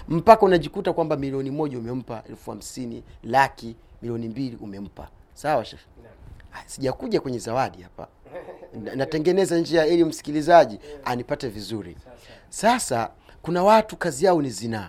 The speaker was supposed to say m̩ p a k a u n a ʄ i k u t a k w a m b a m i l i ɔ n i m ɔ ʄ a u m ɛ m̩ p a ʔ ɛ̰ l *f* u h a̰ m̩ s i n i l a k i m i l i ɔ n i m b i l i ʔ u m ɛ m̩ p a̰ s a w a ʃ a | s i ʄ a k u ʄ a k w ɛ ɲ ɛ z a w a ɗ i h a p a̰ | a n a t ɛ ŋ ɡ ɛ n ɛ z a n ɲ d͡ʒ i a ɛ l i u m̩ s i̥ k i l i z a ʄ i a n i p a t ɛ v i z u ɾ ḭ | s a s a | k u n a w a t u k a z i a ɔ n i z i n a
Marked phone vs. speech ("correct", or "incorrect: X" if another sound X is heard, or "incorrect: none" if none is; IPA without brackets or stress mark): correct